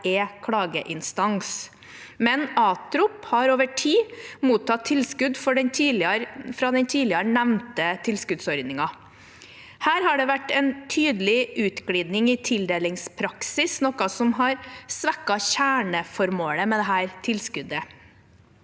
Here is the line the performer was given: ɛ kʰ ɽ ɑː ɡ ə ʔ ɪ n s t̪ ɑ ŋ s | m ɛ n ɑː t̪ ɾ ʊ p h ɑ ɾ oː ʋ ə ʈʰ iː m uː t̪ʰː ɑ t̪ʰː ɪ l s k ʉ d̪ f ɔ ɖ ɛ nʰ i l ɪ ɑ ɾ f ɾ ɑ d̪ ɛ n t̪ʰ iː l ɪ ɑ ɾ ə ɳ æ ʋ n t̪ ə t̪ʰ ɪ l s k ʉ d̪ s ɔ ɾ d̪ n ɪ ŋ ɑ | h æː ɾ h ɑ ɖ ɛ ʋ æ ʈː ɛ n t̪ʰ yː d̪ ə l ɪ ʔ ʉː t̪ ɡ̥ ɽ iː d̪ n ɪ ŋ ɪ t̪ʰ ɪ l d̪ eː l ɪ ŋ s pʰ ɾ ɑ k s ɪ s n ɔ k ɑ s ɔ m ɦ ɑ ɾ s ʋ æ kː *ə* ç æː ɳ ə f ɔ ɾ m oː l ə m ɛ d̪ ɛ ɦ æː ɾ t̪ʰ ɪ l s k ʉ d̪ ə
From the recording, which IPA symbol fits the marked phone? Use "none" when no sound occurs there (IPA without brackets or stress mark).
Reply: ɑ